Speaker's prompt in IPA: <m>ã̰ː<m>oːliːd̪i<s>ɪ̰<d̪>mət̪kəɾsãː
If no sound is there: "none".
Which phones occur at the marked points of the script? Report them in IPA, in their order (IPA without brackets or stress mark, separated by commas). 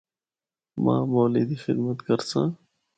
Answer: m, m, x, d̪